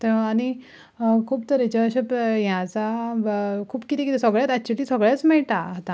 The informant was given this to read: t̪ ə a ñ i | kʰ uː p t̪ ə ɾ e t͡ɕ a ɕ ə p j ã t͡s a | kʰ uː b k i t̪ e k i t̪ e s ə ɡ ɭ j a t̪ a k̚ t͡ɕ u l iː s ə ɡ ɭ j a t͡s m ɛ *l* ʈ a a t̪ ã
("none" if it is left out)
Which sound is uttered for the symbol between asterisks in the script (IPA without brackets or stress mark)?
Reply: ɭ